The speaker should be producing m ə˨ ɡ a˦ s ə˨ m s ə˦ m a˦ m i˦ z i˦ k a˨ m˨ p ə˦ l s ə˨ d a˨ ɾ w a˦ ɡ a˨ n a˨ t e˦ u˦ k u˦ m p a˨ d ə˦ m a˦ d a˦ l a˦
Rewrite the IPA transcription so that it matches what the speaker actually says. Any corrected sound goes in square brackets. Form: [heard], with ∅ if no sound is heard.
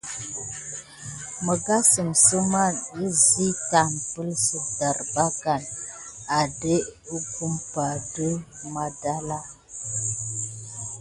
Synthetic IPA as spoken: m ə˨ ɡ a˦ s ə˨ m s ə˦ m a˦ [n] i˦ z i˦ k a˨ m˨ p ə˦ l s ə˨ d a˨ ɾ [b] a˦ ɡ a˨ n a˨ [d] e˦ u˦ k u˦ m p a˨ d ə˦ m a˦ d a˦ l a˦